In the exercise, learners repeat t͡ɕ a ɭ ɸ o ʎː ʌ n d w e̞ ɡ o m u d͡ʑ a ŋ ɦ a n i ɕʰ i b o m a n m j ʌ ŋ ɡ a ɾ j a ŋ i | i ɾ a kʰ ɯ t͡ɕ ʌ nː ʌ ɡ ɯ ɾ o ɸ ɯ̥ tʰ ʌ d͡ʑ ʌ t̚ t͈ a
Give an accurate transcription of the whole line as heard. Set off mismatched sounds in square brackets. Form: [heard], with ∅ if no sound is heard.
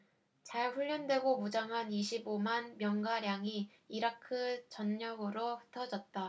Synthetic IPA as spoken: t͡ɕ a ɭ ɸ [u] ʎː ʌ n d w e̞ ɡ o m u d͡ʑ a ŋ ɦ a n i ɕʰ i b o m a n m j ʌ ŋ ɡ a ɾ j a ŋ i | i ɾ a kʰ ɯ t͡ɕ ʌ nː ʌ ɡ ɯ ɾ o ɸ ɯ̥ tʰ ʌ d͡ʑ ʌ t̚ t͈ a